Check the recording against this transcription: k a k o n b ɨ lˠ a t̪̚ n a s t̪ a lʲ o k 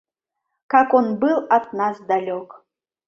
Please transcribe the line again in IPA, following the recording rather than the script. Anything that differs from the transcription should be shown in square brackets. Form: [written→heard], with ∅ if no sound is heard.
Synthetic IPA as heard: k a k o n b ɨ lˠ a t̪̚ n a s [t̪→d̪] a lʲ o k